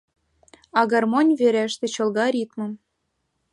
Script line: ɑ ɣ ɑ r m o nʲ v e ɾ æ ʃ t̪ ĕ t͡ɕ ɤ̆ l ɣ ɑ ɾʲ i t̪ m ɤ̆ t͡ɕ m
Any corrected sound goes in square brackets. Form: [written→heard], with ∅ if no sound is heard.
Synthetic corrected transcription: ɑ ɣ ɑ r m o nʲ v e ɾ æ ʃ t̪ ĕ t͡ɕ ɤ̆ l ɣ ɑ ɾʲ i t̪ m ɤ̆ [t͡ɕ→∅] m